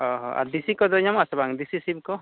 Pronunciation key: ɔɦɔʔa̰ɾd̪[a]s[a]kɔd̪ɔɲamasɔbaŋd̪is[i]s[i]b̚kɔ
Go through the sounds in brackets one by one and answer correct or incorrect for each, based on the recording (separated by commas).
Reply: incorrect, incorrect, correct, correct